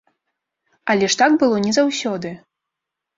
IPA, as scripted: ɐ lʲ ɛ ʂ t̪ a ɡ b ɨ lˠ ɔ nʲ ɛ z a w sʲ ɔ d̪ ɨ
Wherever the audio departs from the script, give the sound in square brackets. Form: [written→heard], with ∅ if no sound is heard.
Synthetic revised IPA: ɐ lʲ ɛ ʂ t̪ a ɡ b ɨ lˠ ɔ nʲ ɛ z a w sʲ ɔ d̪ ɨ